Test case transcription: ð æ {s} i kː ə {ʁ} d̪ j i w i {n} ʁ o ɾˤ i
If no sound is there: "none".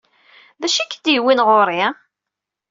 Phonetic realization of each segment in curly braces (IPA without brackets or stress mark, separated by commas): ʃ, none, n